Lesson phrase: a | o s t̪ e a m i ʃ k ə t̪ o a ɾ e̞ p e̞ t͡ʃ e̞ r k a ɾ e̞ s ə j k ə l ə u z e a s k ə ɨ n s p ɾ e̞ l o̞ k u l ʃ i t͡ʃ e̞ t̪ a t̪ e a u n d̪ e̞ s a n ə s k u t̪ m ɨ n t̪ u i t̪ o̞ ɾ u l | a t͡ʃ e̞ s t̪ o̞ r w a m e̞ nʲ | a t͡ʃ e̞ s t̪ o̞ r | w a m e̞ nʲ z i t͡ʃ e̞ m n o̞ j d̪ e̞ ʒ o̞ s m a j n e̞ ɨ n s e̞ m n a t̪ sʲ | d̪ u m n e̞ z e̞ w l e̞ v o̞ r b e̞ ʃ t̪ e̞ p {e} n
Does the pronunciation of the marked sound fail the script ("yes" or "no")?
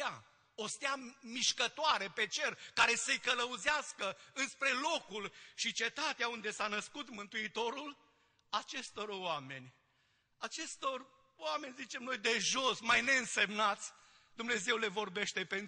no